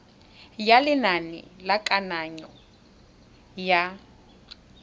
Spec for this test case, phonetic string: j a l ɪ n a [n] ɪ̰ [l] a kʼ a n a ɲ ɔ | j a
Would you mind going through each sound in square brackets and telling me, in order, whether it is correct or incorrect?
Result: correct, correct

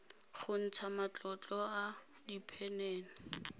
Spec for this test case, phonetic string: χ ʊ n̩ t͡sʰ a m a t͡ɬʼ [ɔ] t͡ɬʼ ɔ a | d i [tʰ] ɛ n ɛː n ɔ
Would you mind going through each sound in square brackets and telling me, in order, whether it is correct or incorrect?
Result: correct, incorrect: pʰ

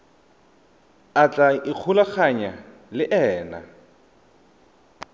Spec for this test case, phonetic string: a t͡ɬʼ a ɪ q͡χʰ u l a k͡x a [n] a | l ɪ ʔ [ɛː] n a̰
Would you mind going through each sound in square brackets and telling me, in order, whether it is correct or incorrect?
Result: incorrect: ɲ, correct

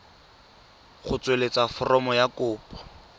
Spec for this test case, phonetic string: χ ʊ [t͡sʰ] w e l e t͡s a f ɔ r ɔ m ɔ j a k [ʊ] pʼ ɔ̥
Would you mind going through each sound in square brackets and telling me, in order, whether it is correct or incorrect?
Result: incorrect: t͡s, incorrect: ʊː

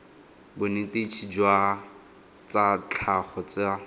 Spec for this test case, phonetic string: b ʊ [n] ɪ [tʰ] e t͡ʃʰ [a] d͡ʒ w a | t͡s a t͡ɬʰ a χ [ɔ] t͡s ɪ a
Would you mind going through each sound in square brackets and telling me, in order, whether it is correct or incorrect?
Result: correct, incorrect: t, incorrect: i, correct

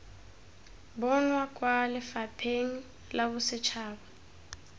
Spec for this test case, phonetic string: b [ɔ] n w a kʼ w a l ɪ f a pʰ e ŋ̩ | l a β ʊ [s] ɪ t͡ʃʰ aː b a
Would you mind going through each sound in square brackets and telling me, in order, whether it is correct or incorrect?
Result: correct, correct

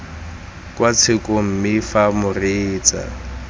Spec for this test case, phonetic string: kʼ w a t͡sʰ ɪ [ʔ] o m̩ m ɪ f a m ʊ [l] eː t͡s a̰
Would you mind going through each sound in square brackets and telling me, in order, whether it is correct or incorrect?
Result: incorrect: k, incorrect: r

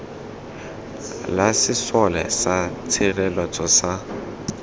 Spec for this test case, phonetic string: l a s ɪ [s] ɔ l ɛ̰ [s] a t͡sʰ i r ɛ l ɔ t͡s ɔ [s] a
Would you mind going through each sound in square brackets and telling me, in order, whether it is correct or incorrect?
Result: correct, correct, correct

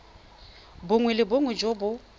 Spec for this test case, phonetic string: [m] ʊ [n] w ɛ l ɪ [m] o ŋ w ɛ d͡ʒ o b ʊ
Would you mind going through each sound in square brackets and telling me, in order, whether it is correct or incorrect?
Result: incorrect: b, incorrect: ŋ, incorrect: b

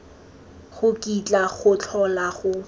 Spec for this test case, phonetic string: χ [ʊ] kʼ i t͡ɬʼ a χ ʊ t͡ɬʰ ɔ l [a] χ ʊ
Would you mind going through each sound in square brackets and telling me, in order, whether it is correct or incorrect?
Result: correct, correct

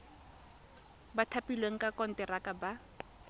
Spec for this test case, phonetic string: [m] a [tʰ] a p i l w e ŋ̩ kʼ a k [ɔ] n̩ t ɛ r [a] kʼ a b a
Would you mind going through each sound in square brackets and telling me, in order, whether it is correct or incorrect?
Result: incorrect: b, correct, correct, correct

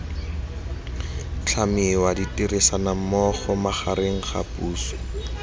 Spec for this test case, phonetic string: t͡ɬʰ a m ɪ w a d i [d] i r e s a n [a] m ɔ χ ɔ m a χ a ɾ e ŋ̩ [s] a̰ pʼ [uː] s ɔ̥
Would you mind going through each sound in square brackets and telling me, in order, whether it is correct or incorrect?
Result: incorrect: t, correct, incorrect: χ, correct

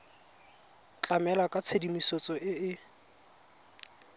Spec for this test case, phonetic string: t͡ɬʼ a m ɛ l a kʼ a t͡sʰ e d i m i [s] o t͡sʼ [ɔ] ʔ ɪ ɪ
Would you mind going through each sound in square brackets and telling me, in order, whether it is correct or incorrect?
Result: correct, correct

